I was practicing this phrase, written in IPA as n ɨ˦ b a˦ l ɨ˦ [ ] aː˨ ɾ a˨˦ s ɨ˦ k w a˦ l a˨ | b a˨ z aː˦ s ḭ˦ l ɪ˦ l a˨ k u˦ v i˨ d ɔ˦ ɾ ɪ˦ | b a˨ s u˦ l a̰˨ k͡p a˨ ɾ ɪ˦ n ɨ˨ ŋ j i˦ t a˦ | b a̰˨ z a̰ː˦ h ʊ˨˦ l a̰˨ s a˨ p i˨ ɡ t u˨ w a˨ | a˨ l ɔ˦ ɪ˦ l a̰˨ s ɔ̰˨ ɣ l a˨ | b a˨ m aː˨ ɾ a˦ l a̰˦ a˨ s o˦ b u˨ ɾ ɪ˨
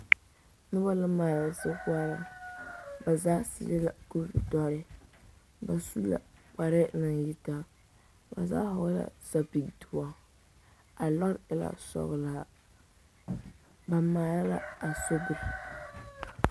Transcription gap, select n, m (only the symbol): m